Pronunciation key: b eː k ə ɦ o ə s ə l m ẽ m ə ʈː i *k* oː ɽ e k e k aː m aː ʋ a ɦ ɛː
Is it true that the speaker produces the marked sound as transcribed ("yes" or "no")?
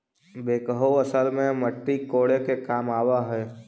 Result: yes